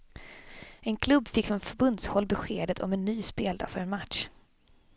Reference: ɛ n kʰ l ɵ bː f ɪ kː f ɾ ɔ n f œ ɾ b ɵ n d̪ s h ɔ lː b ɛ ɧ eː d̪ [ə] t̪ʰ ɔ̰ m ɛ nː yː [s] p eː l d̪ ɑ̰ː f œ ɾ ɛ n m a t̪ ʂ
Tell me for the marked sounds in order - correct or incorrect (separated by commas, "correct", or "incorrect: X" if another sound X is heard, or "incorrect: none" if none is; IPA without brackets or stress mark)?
correct, correct